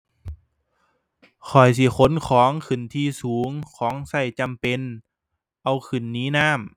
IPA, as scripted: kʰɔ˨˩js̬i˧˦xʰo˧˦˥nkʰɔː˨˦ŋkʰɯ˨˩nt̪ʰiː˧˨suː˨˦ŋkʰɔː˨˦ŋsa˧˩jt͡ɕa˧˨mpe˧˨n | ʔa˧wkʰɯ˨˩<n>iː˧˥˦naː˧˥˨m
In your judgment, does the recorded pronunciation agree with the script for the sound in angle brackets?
no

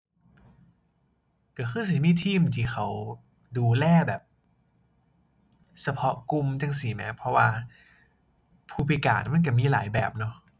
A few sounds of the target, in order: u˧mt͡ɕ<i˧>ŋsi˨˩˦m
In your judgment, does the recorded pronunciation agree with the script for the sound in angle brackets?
no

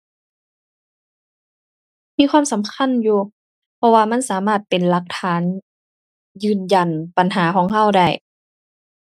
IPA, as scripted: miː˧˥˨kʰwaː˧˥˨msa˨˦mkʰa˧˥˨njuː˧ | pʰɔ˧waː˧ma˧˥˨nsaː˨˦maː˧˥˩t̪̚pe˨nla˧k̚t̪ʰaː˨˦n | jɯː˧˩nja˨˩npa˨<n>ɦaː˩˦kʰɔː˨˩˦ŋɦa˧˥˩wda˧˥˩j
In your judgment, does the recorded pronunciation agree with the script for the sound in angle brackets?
yes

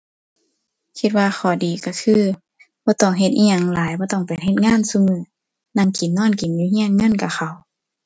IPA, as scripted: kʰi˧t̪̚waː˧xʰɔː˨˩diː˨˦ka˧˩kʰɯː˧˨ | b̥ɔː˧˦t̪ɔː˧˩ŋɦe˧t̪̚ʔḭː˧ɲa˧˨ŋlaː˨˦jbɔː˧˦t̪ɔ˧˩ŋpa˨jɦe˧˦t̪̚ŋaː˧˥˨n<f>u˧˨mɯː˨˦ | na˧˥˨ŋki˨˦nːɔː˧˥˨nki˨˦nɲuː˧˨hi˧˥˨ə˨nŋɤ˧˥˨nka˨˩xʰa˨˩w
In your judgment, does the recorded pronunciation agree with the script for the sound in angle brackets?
no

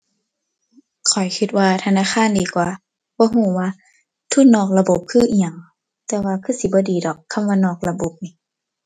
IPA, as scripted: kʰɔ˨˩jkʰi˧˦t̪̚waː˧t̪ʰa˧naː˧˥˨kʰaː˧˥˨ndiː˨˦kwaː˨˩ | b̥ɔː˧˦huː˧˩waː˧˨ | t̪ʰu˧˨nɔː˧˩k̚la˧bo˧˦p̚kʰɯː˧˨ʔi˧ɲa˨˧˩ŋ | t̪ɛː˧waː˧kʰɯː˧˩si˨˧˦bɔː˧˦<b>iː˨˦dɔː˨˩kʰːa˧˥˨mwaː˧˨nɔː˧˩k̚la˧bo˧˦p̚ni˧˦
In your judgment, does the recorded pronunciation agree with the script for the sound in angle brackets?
no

